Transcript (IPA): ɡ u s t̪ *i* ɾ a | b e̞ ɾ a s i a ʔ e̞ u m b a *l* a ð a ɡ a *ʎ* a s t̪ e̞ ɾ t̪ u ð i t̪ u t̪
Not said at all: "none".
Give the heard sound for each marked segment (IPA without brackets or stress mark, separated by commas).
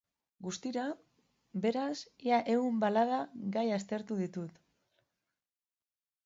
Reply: i, l, j